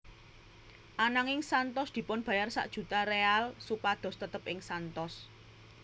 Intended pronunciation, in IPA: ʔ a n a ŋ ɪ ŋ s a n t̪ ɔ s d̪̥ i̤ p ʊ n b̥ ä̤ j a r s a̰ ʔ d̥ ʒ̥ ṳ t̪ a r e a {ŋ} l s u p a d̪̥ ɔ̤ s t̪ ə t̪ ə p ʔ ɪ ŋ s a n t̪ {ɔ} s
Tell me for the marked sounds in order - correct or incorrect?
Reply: incorrect: none, correct

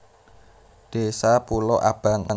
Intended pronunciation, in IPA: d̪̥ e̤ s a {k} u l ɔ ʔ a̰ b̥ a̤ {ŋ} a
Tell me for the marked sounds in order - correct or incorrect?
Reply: incorrect: p, correct

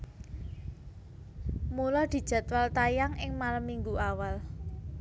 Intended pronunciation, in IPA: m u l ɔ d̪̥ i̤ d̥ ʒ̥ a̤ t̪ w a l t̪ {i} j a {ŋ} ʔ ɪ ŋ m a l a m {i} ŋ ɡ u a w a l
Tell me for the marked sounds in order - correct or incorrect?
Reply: incorrect: a, correct, correct

